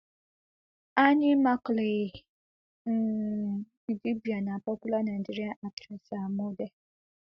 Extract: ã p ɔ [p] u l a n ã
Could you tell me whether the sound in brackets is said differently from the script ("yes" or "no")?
yes